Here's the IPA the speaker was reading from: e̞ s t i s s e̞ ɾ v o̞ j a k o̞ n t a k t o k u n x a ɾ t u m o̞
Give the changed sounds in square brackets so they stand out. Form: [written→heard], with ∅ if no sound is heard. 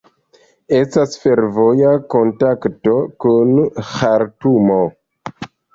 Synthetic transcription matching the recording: e̞ s t [i→a] s [s→f] e̞ ɾ v o̞ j a k o̞ n t a k t o k u n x a ɾ t u m o̞